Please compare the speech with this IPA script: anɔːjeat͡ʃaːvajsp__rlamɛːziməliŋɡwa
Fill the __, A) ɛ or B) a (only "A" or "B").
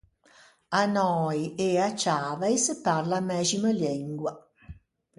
B